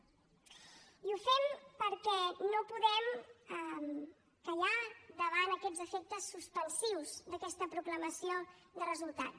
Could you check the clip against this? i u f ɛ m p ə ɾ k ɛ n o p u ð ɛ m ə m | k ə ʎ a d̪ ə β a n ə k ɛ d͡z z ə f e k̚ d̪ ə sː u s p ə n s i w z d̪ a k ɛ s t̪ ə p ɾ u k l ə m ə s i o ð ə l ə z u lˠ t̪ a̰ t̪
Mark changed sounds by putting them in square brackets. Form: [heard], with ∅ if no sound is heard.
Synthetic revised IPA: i u f ɛ m p ə ɾ k ɛ n o p u ð ɛ m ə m | k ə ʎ a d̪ ə β a n ə k ɛ d͡z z ə f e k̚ [t̪] ə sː u s p ə n s i w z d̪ [ə] k ɛ s t̪ ə p ɾ u k l ə m ə s i o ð ə [r] ə z u lˠ t̪ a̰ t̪